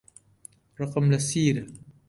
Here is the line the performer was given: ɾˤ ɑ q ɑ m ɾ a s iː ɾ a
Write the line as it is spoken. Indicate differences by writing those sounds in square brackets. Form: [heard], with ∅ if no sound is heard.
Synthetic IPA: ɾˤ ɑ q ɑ m [l] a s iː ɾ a